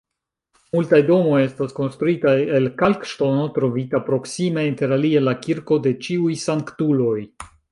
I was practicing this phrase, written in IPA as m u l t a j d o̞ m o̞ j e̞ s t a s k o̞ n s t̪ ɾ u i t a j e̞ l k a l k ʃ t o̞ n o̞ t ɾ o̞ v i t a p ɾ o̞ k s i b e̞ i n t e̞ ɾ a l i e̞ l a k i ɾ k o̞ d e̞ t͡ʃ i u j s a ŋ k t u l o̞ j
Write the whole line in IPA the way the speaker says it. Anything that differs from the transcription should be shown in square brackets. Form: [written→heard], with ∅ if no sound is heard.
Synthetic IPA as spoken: m u l t a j d o̞ m o̞ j e̞ s t a s k o̞ n s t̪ ɾ u i t a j e̞ l k a l k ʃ t o̞ n o̞ t ɾ o̞ v i t a p ɾ o̞ k s i [b→m] e̞ i n t e̞ ɾ a l i e̞ l a k i ɾ k o̞ d e̞ t͡ʃ i u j s a ŋ k t u l o̞ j